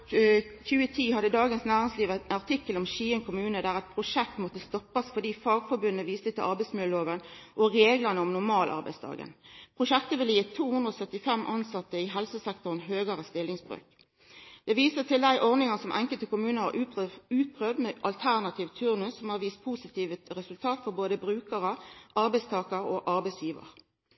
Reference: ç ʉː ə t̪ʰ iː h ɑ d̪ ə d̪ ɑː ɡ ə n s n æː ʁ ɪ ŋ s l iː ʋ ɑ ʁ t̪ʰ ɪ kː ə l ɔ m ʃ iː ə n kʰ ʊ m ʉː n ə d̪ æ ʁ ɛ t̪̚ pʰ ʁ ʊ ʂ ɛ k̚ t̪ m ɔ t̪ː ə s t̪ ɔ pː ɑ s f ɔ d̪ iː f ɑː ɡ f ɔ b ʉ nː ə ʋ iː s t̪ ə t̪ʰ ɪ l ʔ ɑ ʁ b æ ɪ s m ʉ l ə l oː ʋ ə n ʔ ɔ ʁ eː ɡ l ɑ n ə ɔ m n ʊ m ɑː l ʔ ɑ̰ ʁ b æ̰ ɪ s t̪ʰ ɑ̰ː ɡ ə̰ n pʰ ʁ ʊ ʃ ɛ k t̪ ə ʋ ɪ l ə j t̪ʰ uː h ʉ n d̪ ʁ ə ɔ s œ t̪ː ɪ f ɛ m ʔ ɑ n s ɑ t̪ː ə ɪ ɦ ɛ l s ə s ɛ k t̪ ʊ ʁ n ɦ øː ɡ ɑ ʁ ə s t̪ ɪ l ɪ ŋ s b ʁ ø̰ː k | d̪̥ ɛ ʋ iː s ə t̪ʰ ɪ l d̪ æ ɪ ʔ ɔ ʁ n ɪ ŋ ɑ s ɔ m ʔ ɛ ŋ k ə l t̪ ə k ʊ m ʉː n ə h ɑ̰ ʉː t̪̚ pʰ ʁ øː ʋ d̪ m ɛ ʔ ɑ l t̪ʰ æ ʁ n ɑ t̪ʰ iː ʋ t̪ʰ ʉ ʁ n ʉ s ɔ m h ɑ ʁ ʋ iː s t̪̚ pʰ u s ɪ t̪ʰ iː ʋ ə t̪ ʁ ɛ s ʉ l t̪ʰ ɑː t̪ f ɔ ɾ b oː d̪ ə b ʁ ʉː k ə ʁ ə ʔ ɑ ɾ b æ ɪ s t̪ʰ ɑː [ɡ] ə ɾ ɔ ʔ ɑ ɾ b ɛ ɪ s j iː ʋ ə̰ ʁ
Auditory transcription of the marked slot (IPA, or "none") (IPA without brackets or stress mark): k